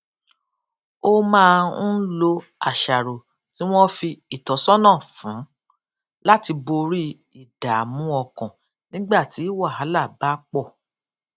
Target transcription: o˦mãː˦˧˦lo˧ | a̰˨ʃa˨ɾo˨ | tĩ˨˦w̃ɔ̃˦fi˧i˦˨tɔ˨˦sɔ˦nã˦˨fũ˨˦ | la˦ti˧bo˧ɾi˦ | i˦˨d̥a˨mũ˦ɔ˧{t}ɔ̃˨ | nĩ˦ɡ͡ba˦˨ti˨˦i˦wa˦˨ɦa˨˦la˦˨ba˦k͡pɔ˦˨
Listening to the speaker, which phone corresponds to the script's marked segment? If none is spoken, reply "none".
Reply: k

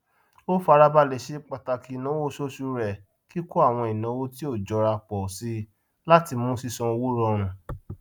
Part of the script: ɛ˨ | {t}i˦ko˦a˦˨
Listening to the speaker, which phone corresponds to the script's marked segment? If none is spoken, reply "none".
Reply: k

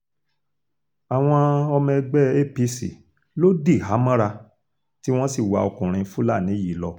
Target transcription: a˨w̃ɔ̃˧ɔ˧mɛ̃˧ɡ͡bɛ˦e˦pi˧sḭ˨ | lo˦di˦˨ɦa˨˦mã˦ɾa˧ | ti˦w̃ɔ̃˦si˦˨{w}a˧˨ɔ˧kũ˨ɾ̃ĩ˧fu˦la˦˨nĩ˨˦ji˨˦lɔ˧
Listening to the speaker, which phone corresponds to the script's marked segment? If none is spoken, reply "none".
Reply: w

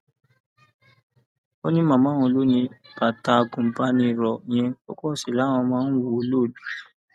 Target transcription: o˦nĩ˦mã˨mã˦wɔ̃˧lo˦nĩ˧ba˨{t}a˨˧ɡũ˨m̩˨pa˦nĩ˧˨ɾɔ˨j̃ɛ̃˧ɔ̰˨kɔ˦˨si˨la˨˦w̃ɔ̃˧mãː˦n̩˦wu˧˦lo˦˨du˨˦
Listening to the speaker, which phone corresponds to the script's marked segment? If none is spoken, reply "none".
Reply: t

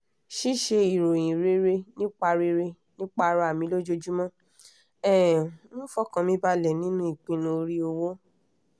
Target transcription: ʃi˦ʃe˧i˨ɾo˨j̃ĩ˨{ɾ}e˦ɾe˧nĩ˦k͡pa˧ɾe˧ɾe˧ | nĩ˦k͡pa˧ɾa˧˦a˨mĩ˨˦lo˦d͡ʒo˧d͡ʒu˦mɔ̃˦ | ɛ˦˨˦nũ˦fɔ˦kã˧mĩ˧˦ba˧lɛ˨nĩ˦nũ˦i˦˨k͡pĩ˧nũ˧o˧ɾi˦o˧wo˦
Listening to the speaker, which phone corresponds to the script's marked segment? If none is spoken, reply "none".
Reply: ɾ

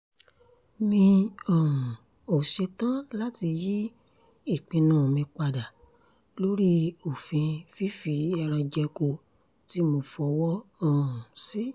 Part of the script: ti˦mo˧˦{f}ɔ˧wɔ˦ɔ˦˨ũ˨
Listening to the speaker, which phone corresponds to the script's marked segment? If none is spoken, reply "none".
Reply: f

